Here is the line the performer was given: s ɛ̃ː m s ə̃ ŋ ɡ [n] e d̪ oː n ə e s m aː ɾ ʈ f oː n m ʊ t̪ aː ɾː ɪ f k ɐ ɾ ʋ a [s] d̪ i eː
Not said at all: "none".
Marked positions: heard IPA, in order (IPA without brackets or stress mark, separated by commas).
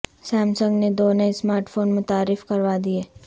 n, none